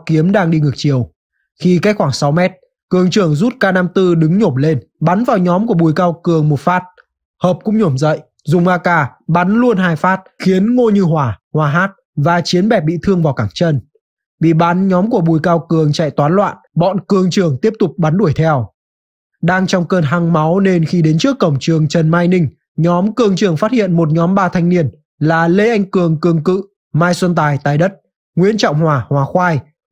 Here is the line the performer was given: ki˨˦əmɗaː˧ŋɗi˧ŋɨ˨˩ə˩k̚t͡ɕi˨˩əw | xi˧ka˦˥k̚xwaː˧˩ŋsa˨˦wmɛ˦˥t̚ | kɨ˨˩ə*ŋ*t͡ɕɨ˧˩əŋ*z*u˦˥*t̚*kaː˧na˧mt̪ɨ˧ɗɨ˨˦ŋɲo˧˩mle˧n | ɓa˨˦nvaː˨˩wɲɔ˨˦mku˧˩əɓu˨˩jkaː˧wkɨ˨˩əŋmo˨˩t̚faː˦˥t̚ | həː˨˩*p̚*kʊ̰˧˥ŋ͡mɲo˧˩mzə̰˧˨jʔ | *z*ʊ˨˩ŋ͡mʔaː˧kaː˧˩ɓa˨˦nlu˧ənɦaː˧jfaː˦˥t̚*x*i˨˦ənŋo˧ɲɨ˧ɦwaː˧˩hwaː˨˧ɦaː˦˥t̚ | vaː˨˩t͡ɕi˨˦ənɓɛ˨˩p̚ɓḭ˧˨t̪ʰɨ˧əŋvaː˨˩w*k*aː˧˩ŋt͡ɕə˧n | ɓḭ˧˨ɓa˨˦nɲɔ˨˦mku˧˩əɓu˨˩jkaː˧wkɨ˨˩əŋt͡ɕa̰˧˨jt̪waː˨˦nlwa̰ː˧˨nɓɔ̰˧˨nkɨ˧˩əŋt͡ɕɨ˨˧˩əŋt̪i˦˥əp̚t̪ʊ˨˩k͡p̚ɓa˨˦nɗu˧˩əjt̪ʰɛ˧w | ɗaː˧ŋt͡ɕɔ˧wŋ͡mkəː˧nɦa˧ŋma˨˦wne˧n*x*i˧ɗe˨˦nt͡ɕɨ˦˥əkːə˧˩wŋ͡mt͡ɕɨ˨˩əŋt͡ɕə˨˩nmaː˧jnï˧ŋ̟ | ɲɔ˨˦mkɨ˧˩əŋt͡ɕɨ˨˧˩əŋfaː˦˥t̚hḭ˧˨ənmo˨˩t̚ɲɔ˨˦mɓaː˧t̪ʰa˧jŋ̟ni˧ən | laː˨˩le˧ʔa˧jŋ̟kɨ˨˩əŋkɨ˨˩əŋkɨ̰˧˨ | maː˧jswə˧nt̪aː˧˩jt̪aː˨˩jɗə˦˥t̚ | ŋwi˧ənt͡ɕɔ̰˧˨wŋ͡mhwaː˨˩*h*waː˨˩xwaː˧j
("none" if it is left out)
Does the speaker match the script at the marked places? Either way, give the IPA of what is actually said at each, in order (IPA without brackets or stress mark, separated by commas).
ŋ, z, t̚, p̚, z, x, k, x, h